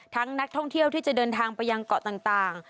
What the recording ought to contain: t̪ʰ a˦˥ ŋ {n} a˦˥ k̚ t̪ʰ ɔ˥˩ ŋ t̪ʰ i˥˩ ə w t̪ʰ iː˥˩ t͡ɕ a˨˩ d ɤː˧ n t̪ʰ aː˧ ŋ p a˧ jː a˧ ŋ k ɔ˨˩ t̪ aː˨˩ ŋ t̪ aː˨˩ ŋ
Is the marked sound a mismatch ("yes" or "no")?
no